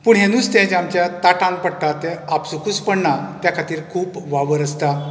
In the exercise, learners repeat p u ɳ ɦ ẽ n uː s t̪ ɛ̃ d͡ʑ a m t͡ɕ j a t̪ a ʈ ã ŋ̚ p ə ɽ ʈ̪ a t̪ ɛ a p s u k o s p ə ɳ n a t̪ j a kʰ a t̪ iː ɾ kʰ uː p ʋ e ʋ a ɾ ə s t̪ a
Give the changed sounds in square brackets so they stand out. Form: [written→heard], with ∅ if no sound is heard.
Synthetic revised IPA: p u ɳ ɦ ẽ n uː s t̪ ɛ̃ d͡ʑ a m t͡ɕ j a t̪ a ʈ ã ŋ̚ p ə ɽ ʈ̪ a t̪ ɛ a p s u k [o→u] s p ə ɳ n a t̪ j a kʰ a t̪ iː ɾ kʰ uː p ʋ [e→a] ʋ [a→ə] ɾ ə s t̪ a